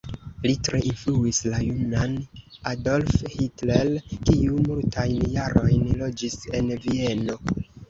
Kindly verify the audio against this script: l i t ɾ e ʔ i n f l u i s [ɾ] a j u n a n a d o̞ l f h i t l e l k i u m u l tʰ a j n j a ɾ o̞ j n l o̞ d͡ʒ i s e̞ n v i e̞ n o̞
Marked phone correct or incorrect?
incorrect